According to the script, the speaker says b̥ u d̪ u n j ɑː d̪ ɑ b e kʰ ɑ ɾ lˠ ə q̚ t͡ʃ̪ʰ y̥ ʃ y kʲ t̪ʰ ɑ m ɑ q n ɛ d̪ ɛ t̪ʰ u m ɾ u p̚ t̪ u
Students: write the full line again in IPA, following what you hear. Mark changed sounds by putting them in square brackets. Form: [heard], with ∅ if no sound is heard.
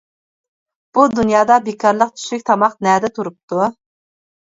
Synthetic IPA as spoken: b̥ u d̪ u n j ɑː d̪ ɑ b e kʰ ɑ ɾ lˠ ə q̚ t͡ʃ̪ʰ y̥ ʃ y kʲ t̪ʰ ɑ m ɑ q n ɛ d̪ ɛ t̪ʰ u [∅] ɾ u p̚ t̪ u